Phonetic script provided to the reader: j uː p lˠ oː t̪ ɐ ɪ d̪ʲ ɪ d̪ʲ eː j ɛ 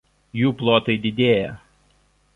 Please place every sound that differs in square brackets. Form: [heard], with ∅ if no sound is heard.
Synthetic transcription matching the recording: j uː p lˠ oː t̪ ɐ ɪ d̪ʲ ɪ d̪ʲ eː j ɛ